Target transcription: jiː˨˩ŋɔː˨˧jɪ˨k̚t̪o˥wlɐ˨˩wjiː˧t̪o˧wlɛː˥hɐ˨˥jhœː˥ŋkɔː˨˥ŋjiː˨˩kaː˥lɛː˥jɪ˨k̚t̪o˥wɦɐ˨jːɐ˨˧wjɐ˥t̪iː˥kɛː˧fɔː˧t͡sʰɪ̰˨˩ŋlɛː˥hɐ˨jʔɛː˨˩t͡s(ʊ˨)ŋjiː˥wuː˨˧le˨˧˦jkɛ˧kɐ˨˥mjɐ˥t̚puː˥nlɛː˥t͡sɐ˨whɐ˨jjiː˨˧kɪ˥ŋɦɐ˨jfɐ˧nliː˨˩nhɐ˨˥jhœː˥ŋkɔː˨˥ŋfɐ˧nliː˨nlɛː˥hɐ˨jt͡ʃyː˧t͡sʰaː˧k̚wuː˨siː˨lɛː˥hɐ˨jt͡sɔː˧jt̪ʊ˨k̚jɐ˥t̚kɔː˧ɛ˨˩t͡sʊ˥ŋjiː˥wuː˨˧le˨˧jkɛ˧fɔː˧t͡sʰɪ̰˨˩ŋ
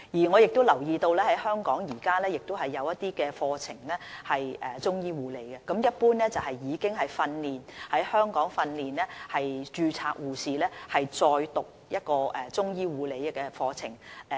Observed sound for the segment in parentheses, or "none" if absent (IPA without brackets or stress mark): ʊ˥